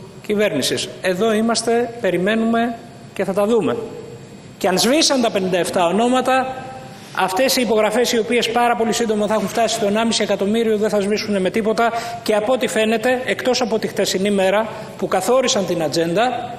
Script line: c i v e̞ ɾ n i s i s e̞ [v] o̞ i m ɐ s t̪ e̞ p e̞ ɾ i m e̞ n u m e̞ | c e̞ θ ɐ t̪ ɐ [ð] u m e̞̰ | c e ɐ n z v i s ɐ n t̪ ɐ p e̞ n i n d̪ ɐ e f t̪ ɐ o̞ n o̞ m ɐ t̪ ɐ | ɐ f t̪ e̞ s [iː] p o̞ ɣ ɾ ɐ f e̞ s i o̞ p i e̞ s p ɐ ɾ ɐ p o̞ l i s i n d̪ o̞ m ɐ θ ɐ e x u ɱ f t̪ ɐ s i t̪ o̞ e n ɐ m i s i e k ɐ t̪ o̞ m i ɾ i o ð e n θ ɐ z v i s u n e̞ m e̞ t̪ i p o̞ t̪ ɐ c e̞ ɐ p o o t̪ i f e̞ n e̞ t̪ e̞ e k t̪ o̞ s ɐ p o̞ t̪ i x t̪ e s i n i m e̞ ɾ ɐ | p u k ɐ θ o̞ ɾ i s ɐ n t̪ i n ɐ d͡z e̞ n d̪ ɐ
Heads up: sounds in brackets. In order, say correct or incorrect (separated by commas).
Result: incorrect, correct, correct